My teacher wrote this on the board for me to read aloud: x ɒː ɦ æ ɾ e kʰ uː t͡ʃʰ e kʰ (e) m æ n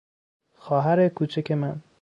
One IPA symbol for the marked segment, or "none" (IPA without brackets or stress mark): e